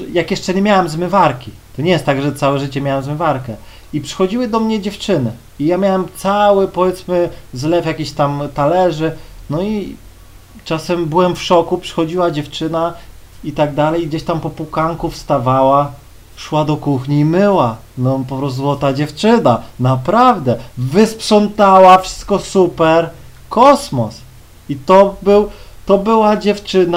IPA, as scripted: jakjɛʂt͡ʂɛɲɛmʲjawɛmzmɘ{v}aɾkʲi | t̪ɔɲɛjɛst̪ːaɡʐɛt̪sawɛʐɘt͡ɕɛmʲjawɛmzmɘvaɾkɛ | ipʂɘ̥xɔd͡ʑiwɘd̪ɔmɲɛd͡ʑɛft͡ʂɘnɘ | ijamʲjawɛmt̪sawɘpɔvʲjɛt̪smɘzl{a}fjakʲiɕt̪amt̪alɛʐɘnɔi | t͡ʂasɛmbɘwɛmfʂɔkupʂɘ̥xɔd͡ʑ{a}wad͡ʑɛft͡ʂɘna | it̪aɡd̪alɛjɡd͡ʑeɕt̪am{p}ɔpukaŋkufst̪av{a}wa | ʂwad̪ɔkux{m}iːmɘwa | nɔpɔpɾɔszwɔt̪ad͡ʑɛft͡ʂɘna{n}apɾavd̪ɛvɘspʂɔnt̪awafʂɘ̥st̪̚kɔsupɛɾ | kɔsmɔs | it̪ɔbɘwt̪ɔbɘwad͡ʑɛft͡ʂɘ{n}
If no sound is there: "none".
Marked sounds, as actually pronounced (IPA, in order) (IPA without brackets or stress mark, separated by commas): v, ɛ, i, p, a, ɲ, n, n